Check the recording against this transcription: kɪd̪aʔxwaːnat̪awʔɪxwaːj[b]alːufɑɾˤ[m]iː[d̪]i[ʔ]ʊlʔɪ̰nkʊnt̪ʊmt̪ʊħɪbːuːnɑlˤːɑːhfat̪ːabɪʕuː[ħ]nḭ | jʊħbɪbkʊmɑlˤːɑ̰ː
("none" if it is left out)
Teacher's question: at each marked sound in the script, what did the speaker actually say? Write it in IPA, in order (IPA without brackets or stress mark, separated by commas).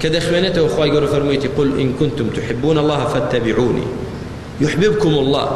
ɡ, m, t̪, q, none